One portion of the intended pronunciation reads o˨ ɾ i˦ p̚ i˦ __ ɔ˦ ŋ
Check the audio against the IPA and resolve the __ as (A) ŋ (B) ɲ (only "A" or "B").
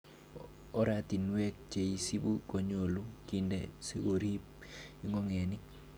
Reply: A